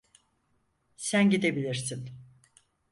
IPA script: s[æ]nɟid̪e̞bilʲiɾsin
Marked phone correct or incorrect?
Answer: correct